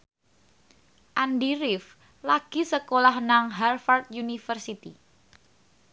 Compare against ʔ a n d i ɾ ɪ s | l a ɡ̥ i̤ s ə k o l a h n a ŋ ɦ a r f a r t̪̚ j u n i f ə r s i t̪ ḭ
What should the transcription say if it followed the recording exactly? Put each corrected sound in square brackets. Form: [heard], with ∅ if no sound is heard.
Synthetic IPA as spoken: ʔ a n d i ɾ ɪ [f] | l a ɡ̥ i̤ s ə k o l a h n a ŋ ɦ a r f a r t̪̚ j u n i f ə r s i t̪ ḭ

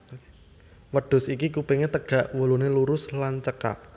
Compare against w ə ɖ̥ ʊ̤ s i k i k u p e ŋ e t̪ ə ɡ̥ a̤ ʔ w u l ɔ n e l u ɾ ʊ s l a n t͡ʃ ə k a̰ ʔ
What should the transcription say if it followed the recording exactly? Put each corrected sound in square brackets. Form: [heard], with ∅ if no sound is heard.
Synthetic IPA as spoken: w ə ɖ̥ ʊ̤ s i k i k u p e ŋ e t̪ ə ɡ̥ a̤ ʔ w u l [u] n e l u ɾ ʊ s l a n t͡ʃ ə k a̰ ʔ

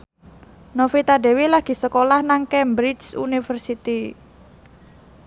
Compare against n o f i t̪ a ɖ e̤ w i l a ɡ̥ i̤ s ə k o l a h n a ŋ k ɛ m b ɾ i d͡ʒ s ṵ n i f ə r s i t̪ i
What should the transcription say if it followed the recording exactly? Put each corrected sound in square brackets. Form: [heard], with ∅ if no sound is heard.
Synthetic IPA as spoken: n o f i t̪ a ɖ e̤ w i l a ɡ̥ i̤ s ə k o l a h n a ŋ k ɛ m b ɾ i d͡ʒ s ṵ n i f ə r s i t̪ i

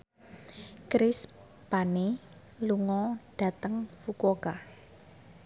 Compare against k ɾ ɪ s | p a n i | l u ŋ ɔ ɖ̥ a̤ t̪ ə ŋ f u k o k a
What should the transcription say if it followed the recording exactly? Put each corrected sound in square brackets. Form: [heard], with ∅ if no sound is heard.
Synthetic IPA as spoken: k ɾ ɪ s | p a n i | l u ŋ ɔ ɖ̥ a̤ t̪ ə ŋ f u k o k a

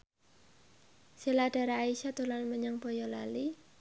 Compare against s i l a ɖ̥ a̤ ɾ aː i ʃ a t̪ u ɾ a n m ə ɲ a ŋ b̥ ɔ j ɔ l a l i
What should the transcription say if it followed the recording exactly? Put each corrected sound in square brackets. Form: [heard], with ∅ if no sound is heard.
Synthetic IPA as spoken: s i l a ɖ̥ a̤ ɾ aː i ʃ a t̪ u [l] a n m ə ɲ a ŋ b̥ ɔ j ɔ l a l i

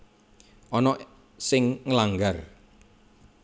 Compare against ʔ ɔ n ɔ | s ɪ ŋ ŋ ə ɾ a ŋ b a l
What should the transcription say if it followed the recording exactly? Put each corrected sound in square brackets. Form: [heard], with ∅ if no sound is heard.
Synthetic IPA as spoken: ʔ ɔ n ɔ | s ɪ ŋ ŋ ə [l] a ŋ [ɡ] a [r]

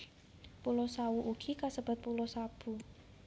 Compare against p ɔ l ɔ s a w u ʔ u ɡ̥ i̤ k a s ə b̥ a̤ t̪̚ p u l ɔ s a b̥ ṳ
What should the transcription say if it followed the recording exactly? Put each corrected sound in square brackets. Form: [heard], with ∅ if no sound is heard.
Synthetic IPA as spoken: p [u] l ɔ s a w u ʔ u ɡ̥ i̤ k a s ə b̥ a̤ t̪̚ p u l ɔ s a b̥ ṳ

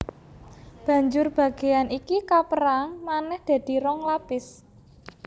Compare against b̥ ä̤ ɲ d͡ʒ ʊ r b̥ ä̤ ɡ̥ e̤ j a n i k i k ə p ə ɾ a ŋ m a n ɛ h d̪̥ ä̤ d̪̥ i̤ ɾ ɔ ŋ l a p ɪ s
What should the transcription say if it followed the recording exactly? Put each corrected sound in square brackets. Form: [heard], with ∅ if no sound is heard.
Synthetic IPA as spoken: b̥ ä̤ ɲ d͡ʒ ʊ r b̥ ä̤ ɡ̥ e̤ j a n i k i k [a] p ə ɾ a ŋ m a n ɛ h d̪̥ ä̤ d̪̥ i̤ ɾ ɔ ŋ l a p ɪ s

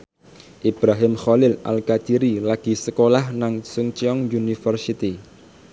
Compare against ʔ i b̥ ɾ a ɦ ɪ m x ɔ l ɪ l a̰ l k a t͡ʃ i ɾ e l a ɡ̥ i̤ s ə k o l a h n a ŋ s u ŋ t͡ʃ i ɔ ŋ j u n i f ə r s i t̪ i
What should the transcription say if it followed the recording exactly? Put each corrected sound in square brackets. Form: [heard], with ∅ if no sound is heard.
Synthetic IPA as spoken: ʔ i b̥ ɾ a ɦ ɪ m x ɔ l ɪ l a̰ l k a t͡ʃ i ɾ [i] l a ɡ̥ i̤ s ə k o l a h n a ŋ s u ŋ t͡ʃ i ɔ ŋ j u n i f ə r s i t̪ i

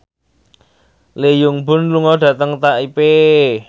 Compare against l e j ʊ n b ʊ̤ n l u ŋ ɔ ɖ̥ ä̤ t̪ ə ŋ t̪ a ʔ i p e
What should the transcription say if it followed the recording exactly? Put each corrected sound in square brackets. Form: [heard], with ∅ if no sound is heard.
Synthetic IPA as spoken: l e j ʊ [ŋ] b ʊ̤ n l u ŋ ɔ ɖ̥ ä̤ t̪ ə ŋ t̪ a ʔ i p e

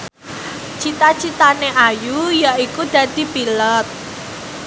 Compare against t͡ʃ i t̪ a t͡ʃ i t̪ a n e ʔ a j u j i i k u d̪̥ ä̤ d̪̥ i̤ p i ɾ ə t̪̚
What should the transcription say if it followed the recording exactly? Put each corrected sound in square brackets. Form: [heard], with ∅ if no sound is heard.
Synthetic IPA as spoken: t͡ʃ i t̪ a t͡ʃ i t̪ a n e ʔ a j u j [a] i k u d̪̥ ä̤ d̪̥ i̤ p i [l] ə t̪̚

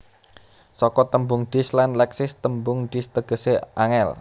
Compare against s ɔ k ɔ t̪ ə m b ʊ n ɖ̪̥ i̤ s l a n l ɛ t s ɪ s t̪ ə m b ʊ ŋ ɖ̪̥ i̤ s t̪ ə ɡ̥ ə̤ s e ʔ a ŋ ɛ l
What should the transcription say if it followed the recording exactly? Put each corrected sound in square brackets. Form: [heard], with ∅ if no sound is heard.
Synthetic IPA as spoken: s ɔ k ɔ t̪ ə m b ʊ [ŋ] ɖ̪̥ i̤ s l a n l ɛ [k] s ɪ s t̪ ə m b ʊ ŋ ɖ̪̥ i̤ s t̪ ə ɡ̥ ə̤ s e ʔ a ŋ ɛ l

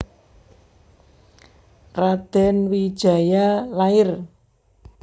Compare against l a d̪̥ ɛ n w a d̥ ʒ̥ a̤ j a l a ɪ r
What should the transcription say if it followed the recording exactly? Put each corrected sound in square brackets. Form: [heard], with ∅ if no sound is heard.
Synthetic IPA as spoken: [r] a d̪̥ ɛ n w [i] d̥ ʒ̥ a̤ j a l a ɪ r

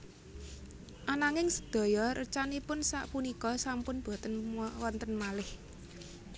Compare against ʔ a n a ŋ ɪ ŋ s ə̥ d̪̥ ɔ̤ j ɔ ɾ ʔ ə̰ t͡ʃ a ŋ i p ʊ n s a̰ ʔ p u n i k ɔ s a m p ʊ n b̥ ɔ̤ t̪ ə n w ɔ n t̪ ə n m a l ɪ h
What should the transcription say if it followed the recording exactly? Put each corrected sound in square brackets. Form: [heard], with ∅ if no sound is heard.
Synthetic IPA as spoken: ʔ a n a ŋ ɪ ŋ s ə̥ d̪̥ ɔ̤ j ɔ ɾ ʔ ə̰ t͡ʃ a [n] i p ʊ n s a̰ ʔ p u n i k ɔ s a m p ʊ n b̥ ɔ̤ t̪ ə n w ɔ n t̪ ə n m a l ɪ h

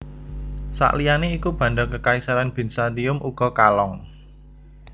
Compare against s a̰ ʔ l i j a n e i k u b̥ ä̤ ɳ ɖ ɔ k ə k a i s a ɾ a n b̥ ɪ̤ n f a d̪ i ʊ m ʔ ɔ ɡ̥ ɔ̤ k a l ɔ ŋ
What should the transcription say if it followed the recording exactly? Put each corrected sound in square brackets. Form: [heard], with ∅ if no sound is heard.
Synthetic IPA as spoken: s a̰ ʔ l i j a n e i k u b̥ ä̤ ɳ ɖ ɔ k ə k a i s a ɾ a n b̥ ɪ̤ n [s] a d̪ i ʊ m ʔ [u] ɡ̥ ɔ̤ k a l ɔ ŋ

